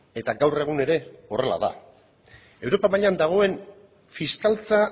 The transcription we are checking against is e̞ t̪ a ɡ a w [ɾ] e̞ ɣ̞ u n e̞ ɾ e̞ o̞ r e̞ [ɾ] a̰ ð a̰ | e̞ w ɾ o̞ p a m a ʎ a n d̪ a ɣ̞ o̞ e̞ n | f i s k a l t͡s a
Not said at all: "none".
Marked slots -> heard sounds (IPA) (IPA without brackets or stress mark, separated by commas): r, l